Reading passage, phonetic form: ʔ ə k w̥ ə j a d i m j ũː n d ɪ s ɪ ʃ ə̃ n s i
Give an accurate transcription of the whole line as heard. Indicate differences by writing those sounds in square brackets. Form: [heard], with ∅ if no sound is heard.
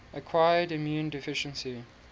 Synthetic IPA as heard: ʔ ə [kʰ] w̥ [a] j [ə] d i m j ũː n d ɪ [f] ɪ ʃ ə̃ n s i